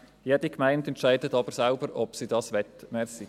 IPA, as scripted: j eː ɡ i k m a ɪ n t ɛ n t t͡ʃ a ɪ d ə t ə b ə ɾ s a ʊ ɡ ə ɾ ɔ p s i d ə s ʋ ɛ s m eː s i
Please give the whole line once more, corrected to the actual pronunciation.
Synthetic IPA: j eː d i k m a ɪ n t ɛ n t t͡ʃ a ɪ d ə t ɑ b ə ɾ s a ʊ b ə ɾ ɔ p s i d ɑ s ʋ ɛ t m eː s i